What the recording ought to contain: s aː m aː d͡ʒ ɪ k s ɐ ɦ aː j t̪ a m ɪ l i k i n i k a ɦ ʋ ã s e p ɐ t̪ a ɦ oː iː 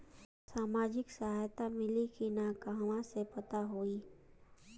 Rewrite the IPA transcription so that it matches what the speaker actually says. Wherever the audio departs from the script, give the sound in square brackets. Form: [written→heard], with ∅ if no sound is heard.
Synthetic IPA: s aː m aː d͡ʒ ɪ k s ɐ ɦ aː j t̪ a m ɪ l i k i n [i→a] k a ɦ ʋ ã s e p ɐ t̪ a ɦ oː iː